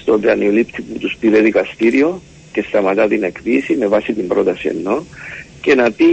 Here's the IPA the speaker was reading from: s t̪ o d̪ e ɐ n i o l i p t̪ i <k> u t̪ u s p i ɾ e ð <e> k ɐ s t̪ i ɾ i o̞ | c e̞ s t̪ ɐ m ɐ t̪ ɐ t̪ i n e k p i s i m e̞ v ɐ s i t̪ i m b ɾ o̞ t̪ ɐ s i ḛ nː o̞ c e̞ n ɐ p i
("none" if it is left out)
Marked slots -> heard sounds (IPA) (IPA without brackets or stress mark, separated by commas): p, i